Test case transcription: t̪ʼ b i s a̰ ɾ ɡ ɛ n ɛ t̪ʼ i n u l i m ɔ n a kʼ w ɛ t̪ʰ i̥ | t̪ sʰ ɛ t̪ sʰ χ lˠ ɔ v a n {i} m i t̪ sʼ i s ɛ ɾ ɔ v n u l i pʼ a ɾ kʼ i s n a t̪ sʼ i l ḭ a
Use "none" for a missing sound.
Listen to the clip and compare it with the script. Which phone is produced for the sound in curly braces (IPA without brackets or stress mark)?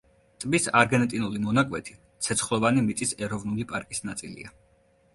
i